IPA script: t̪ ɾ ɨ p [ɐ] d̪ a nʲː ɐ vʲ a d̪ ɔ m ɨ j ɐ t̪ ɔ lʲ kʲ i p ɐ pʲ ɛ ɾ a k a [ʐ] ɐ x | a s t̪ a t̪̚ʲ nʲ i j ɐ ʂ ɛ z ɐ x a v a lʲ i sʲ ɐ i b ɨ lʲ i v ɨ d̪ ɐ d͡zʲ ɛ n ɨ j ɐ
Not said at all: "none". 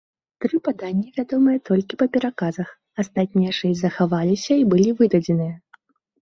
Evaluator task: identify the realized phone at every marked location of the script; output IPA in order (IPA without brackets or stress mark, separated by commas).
a, z